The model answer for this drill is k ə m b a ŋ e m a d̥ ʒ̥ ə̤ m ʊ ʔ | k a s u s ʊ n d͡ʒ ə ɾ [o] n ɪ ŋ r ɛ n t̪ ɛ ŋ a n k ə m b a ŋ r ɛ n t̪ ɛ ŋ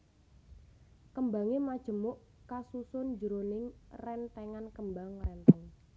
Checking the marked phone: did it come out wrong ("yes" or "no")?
no